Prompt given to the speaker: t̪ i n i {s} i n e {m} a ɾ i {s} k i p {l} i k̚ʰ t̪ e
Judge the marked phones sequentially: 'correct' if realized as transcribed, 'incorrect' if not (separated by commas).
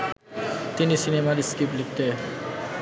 correct, correct, correct, correct